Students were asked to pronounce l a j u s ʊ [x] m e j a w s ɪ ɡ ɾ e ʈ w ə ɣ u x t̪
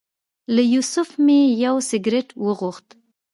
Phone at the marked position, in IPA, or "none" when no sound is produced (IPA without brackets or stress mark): f